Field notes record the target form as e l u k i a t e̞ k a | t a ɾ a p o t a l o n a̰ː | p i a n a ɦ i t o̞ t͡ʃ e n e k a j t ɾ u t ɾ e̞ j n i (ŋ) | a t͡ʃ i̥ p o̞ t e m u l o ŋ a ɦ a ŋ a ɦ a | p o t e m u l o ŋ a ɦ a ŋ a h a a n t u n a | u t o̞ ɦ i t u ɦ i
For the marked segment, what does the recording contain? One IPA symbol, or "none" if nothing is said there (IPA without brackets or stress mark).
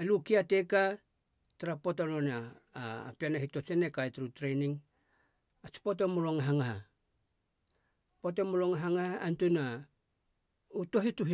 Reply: ŋ